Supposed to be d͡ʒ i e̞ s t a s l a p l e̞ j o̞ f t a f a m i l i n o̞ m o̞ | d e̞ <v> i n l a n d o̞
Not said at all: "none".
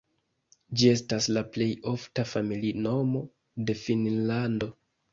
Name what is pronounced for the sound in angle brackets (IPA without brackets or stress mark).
f